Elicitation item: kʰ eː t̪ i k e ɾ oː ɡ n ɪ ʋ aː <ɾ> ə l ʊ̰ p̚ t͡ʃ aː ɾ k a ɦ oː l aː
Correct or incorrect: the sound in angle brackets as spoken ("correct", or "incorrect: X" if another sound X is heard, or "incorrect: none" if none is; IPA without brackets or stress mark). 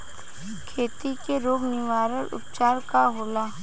correct